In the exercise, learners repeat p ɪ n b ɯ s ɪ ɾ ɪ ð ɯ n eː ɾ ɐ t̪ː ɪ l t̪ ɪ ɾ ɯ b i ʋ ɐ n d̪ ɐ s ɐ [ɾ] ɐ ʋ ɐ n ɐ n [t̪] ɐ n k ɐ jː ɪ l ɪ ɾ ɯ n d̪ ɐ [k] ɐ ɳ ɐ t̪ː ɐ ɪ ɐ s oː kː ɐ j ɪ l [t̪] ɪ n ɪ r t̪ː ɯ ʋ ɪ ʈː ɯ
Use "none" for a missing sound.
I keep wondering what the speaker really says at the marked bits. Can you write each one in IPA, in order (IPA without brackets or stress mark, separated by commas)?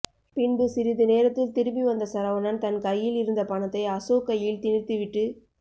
ɾ, t̪, p, t̪